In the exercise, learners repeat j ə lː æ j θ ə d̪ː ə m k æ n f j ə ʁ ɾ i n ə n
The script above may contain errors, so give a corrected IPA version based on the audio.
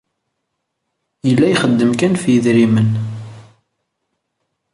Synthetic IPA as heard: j ə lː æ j χ ə d̪ː ə m k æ n f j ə ð ɾ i m ə n